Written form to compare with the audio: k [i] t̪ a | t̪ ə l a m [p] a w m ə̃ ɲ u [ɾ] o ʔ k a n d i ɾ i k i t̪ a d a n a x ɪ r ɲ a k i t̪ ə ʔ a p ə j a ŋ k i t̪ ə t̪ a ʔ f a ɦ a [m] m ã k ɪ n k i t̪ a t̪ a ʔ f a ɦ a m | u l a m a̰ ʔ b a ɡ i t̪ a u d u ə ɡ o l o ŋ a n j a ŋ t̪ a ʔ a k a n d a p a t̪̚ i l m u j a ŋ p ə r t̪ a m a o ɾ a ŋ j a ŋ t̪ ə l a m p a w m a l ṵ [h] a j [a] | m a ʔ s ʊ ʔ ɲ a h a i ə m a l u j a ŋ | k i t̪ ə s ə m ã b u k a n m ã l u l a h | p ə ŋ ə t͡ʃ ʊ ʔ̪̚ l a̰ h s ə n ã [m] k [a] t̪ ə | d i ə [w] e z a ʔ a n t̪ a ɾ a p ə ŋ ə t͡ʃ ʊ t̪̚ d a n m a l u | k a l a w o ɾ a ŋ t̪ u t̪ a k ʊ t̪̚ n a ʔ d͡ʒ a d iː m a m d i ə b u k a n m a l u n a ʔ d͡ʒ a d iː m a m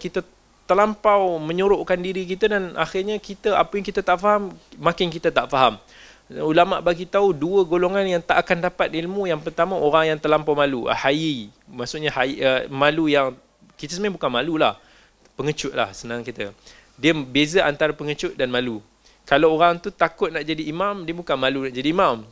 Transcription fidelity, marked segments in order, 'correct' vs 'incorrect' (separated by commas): correct, correct, correct, correct, correct, incorrect, incorrect, incorrect, incorrect